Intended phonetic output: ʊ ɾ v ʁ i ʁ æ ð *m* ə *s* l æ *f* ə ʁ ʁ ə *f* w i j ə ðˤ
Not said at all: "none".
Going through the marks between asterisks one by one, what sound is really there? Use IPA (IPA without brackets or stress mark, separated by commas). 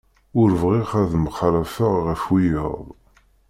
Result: m, χ, f, f